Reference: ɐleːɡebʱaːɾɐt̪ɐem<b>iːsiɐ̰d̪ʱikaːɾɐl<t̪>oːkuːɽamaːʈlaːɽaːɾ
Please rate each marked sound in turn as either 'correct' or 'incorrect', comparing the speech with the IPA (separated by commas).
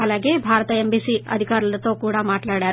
correct, correct